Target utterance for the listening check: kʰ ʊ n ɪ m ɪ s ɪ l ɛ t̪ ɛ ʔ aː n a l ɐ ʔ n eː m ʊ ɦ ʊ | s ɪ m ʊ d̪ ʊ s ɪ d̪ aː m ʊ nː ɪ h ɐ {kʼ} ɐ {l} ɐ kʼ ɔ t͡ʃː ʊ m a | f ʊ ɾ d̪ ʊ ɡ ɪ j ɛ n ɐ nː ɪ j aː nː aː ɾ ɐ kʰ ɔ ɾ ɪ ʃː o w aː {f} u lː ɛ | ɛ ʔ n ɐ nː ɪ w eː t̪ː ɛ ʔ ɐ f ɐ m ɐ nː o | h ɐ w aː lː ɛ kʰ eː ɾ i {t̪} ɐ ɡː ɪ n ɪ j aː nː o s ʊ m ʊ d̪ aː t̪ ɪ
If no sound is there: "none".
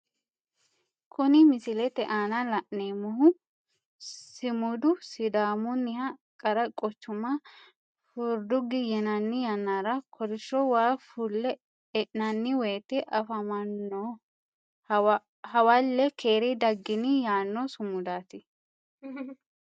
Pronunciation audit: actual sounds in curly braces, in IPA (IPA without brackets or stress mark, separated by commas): kʼ, ɾ, f, d̪